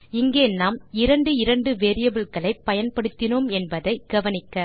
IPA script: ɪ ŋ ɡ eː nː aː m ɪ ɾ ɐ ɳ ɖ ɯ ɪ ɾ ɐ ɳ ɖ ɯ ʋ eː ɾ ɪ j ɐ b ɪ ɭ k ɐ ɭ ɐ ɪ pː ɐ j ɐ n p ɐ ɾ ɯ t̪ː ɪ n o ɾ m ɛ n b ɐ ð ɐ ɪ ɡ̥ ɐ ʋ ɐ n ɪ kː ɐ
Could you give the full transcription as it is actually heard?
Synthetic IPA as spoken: ɪ ŋ ɡ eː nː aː m ɪ ɾ ɐ ɳ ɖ ɯ ɪ ɾ ɐ ɳ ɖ ɯ ʋ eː ɾ ɪ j ɐ b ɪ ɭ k ɐ ɭ ɐ ɪ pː ɐ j ɐ n p ɐ ɽ ɯ t̪ː ɪ n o m ɛ n b ɐ ð ɐ ɪ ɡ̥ ɐ ʋ ɐ n ɪ kː ɐ